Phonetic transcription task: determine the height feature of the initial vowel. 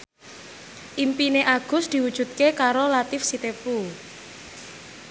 high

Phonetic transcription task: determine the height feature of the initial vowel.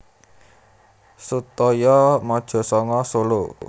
high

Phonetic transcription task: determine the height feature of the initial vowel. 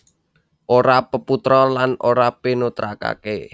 mid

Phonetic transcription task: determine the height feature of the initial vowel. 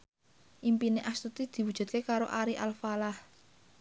high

